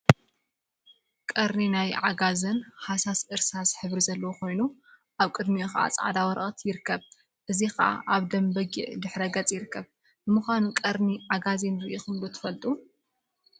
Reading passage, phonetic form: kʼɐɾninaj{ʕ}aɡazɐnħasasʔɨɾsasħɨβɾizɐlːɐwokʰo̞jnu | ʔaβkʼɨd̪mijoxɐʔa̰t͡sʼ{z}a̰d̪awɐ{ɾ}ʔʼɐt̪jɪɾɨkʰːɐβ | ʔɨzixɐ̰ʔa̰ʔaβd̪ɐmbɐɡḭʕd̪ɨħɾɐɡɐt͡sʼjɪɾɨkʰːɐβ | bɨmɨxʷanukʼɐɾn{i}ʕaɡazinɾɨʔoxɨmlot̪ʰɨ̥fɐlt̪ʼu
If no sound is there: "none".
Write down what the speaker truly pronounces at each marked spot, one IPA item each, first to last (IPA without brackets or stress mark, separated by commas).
ʕ, ʕ, ɾ, i